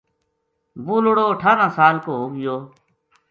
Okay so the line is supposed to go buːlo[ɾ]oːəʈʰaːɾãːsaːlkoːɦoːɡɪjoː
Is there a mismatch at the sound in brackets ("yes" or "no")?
yes